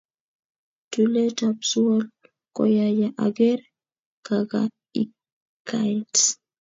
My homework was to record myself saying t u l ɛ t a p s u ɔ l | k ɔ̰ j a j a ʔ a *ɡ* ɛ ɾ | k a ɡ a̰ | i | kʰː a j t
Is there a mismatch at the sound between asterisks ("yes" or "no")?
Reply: no